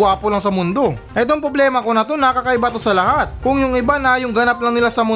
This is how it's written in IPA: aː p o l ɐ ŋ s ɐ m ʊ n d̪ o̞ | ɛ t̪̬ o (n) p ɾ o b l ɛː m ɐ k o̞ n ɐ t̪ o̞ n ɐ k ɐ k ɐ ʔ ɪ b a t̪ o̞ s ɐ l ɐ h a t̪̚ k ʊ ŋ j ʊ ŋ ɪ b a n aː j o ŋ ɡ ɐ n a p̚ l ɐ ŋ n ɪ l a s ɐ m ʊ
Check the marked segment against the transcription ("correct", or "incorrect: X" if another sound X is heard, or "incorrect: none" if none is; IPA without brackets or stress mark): incorrect: ŋ